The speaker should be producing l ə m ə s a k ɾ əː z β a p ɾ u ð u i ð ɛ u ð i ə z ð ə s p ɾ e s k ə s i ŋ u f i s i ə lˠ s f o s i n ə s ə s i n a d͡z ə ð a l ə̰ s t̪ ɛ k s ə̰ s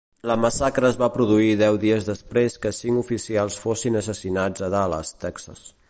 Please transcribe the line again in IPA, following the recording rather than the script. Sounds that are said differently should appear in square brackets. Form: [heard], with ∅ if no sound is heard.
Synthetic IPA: l ə m ə s a k ɾ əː z β a p ɾ u ð u i ð ɛ [w] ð i ə z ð ə s p ɾ e s k ə s i ŋ u f i s i [a] lˠ s f o s i n ə s ə s i n a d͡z ə ð a l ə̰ s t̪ ɛ k s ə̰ s